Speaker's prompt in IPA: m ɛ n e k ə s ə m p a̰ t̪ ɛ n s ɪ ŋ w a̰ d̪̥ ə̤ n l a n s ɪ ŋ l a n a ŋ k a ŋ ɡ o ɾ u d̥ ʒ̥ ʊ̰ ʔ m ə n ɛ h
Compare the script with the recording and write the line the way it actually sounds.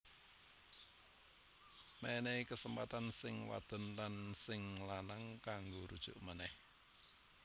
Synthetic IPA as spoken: m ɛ n e k ə s ə m p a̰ t̪ a n s ɪ ŋ w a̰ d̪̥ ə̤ n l a n s ɪ ŋ l a n a ŋ k a ŋ ɡ o ɾ u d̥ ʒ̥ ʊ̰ ʔ m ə n ɛ h